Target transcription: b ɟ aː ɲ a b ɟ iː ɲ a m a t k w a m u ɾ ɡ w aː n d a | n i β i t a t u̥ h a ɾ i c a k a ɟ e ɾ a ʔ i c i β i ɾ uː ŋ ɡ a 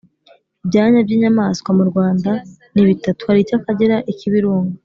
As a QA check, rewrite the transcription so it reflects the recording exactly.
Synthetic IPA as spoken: b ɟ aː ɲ a b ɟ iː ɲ a m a s k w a m u ɾ ɡ w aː n d a | n i β i t a t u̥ h a ɾ i c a k a ɟ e ɾ a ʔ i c i β i ɾ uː ŋ ɡ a